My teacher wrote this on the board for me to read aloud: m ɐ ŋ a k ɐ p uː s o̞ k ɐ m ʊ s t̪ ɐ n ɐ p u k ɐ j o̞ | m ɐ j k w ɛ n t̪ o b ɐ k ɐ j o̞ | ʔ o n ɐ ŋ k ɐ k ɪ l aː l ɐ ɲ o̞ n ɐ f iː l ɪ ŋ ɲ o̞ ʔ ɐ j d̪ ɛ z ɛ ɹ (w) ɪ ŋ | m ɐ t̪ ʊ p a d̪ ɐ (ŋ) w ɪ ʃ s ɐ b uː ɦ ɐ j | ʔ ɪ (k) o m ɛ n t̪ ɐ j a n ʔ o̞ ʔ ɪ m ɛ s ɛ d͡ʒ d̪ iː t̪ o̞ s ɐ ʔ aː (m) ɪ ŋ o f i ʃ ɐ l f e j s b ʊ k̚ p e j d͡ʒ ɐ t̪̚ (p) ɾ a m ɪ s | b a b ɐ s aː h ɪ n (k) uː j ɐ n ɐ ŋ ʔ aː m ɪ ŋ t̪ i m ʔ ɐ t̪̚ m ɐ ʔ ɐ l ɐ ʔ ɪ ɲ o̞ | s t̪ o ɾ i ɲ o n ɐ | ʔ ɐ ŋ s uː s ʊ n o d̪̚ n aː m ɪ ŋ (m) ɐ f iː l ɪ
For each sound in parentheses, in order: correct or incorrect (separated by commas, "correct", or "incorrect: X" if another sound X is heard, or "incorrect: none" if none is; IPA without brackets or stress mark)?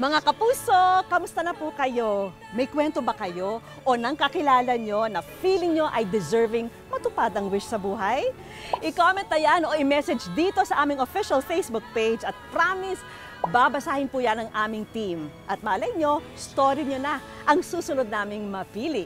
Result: incorrect: v, correct, correct, correct, correct, incorrect: p, correct